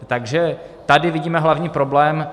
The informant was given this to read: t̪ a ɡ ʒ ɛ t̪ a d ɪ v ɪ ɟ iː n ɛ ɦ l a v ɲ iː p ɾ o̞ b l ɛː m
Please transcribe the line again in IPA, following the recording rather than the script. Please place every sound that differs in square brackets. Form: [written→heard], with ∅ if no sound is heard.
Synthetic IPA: t̪ a ɡ ʒ ɛ t̪ a d ɪ v ɪ ɟ iː [n→m] ɛ ɦ l a v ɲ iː p ɾ o̞ b l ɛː m